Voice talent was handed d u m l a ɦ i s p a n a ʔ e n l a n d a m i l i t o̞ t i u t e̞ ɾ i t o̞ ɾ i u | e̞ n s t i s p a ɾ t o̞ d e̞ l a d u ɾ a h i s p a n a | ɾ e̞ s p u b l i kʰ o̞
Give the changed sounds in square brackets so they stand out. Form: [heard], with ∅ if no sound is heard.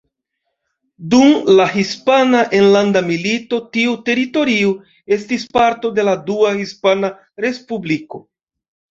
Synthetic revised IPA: d u m l a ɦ i s p a n a ʔ e n l a n d a m i l i t o̞ t i u t e̞ ɾ i t o̞ ɾ i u | e̞ [∅] s t i s p a ɾ t o̞ d e̞ l a d u [∅] a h i s p a n a | ɾ e̞ s p u b l i [k] o̞